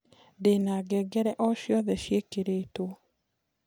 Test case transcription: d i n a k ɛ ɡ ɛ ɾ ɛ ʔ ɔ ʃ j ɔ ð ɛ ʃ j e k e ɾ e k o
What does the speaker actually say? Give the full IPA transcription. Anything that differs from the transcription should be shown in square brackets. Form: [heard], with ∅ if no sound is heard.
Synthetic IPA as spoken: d [e] n a [ɡ] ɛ ɡ ɛ ɾ ɛ ʔ ɔ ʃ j ɔ ð ɛ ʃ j e k e ɾ e [t] o